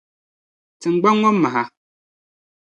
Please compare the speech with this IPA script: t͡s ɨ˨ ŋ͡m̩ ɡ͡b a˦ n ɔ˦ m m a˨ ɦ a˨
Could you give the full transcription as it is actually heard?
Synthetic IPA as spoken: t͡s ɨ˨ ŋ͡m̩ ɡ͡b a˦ ŋ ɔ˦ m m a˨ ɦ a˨